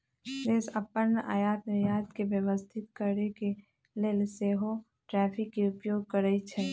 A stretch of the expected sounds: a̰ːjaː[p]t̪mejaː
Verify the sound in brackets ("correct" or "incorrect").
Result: incorrect